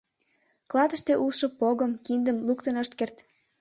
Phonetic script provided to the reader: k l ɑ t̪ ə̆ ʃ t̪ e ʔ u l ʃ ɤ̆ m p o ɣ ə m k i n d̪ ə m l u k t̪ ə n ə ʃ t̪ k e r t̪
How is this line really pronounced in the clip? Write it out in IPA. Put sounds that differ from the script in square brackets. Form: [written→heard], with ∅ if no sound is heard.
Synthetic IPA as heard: k l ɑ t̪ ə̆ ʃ t̪ e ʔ u l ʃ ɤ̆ [m→∅] p o ɣ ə m k i n d̪ ə m l u k t̪ ə n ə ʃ t̪ k e r t̪

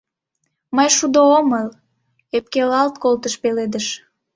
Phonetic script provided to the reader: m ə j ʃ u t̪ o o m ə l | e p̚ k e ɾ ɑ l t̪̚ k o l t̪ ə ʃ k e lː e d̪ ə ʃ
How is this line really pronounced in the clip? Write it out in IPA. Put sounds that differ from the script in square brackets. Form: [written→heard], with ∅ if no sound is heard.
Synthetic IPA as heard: m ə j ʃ u [t̪→d̪] o o m ə l | e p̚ k e [ɾ→l] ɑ l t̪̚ k o l t̪ ə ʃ [k→p] e [lː→l] e d̪ ə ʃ

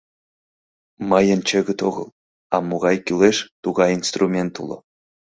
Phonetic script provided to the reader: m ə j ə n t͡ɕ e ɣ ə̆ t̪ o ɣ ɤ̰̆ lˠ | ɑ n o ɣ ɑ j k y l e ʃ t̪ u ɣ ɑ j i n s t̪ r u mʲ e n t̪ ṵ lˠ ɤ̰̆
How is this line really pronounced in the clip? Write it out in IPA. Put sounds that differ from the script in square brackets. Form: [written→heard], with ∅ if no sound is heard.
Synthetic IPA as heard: m [ə→ɑ] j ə n t͡ɕ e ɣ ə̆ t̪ o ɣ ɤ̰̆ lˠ | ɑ [n→m] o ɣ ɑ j k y l e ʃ t̪ u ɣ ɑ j i n s t̪ r u mʲ e n t̪ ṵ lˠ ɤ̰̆

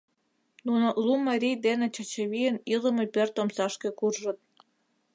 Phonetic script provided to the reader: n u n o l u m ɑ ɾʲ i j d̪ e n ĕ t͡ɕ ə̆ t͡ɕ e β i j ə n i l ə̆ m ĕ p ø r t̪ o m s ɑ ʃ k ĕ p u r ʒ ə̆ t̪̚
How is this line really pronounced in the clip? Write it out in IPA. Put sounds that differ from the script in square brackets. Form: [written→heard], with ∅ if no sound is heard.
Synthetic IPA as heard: n u n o l u m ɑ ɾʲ i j d̪ e n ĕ t͡ɕ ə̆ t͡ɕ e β i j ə n i l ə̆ m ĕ p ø r t̪ o m s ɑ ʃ k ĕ [p→k] u r ʒ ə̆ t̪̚

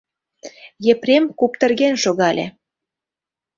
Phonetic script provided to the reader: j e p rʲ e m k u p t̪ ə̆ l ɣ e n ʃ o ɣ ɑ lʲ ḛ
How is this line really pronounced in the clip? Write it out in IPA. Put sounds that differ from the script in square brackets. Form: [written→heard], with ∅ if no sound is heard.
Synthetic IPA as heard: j e p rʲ e m k u p t̪ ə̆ [l→r] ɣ e n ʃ o ɣ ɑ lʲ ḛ

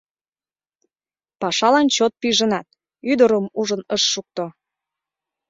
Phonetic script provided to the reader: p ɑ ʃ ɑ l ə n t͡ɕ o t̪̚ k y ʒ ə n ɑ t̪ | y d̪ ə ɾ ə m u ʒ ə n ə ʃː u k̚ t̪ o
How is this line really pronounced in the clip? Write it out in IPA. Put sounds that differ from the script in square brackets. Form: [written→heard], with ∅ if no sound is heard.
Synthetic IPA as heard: p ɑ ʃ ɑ l [ə→ɑ] n t͡ɕ o t̪̚ [k→p] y ʒ ə n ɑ t̪ | y d̪ ə ɾ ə m u ʒ ə n ə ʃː u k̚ t̪ o

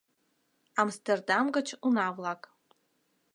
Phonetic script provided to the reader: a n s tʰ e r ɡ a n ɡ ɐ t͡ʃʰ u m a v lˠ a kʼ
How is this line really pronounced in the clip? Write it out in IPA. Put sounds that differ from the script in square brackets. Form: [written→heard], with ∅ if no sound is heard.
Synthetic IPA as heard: a [n→m] s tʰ e r [ɡ→d] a [n→m] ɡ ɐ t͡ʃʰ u [m→n] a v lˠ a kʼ

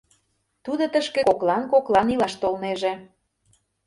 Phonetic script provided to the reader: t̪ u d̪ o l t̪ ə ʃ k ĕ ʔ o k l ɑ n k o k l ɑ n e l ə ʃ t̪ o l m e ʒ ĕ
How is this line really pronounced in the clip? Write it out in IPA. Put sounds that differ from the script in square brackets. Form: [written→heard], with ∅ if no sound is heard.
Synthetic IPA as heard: t̪ u d̪ o [l→∅] t̪ ə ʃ k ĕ [ʔ→k] o k l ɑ n k o k l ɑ n [e→i] l [ə→ɑ] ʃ t̪ o l [m→n] e ʒ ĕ

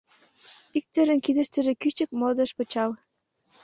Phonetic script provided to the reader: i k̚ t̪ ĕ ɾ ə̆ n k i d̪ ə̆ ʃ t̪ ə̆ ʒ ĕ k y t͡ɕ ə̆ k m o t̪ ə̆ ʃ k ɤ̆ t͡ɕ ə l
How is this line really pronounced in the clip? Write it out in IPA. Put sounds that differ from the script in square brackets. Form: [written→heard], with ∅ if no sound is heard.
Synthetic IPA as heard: i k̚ t̪ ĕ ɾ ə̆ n k i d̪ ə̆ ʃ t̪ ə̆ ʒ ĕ k y t͡ɕ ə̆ k m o [t̪→d̪] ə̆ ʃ [k→p] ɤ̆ t͡ɕ [ə→ɑ] l

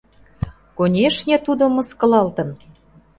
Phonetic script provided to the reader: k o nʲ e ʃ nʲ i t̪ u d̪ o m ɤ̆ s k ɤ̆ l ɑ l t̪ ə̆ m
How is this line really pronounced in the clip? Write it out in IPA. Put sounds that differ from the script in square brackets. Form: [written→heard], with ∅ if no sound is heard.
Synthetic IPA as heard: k o nʲ e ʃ nʲ [i→e] t̪ u d̪ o m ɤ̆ s k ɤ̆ l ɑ l t̪ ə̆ [m→n]

